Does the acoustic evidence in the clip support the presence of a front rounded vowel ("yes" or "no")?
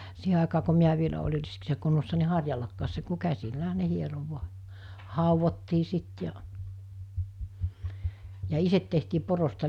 no